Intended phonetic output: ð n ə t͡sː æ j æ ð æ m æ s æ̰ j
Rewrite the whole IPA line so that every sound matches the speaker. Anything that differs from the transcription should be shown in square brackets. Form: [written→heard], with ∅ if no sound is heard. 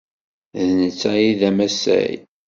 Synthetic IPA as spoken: ð n ə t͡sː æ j [æ→i] ð æ m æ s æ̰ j